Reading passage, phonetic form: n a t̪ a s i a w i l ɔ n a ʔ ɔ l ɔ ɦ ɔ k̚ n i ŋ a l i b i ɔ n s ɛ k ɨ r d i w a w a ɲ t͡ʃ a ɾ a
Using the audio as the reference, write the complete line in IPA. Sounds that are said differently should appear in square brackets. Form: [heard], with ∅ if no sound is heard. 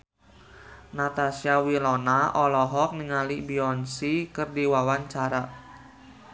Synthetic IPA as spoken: n a t̪ a s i a w i l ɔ n a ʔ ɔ l ɔ ɦ ɔ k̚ n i ŋ a l i b i ɔ n s [i] k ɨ r d i w a w a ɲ t͡ʃ a ɾ a